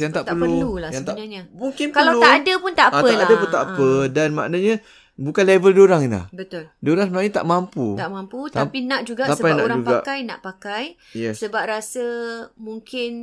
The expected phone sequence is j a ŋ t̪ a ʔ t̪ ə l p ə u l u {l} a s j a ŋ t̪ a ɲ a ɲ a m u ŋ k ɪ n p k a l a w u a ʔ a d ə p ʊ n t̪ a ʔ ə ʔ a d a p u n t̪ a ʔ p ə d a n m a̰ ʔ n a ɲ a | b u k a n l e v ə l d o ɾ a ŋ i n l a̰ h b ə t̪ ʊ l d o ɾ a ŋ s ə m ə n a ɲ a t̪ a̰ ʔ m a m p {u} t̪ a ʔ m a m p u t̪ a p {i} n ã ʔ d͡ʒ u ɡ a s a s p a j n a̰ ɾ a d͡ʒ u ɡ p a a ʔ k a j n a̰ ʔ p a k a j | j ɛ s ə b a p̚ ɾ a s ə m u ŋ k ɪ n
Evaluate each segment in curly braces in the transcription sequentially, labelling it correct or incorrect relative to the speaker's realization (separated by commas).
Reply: correct, correct, correct